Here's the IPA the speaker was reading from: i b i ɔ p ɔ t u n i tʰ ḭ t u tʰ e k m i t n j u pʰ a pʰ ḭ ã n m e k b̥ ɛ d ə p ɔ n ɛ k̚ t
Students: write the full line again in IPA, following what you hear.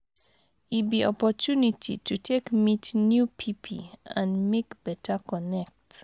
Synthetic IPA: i b i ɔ p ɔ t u n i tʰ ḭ t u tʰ e k m i t n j u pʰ i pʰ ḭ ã n m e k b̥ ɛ t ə k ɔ n ɛ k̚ t